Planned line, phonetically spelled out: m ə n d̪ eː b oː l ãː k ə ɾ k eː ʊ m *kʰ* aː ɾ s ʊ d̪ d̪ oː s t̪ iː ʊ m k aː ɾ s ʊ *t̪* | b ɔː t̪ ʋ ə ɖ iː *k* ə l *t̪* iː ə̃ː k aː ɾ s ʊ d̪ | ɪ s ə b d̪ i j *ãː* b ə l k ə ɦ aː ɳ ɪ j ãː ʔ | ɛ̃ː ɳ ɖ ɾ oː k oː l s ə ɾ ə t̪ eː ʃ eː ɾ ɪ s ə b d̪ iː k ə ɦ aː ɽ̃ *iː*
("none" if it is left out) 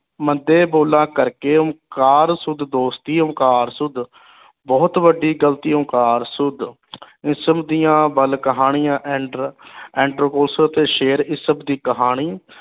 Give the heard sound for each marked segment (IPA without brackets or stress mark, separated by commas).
k, d̪, ɡ, t̪, ãː, iː